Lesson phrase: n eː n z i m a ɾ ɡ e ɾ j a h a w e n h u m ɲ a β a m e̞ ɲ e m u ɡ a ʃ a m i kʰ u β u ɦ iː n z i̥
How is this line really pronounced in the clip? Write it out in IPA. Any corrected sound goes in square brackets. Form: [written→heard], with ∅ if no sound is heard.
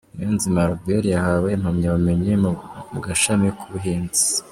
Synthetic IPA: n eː n z i m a ɾ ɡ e ɾ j a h a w e n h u m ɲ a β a m e̞ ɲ e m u ɡ a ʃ a m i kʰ u β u ɦ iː n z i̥